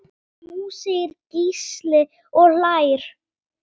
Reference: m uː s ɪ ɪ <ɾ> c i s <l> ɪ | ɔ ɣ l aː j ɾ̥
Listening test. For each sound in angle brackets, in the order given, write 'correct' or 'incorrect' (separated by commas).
correct, correct